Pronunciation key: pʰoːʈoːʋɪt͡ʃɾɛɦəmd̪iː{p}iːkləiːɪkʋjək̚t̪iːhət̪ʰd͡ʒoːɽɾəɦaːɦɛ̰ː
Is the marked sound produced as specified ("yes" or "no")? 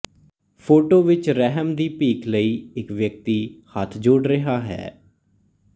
yes